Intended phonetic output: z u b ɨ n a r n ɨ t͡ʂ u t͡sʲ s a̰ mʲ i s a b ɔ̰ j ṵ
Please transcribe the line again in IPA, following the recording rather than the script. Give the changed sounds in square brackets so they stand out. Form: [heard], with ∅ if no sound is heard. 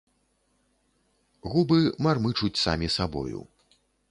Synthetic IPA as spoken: [ɣ] u b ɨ [m] a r [m] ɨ t͡ʂ u t͡sʲ s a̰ mʲ i s a b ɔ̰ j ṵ